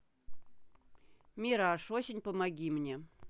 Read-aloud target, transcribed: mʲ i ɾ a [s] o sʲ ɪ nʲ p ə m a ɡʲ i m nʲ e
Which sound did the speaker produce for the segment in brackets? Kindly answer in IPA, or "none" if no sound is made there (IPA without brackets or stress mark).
ʂ